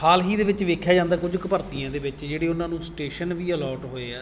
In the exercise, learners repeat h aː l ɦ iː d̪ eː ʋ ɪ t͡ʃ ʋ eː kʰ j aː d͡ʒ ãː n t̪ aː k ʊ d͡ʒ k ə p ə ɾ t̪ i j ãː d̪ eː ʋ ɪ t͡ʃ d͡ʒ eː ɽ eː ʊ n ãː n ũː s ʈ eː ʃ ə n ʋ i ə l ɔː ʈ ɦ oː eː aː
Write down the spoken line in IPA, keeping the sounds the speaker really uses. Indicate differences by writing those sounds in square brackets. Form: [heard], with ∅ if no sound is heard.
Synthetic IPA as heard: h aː l ɦ iː d̪ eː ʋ ɪ t͡ʃ ʋ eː kʰ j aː d͡ʒ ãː n [d̪] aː k ʊ d͡ʒ k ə p ə ɾ t̪ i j ãː d̪ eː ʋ ɪ t͡ʃ d͡ʒ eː ɽ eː ʊ n ãː n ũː s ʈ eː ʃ ə n ʋ [iː] ə l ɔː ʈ ɦ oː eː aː